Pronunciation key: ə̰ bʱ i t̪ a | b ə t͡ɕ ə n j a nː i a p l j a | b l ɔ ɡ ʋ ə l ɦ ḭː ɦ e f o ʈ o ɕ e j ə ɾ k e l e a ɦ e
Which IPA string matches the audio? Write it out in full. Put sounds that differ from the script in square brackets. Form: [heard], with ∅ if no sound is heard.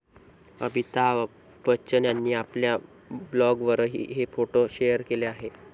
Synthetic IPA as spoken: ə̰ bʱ i t̪ a | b ə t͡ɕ ə n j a nː [iː] a p l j a | b l ɔ ɡ ʋ ə [ɾ] ɦ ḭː ɦ e f o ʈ o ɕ e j ə ɾ k e l e a ɦ e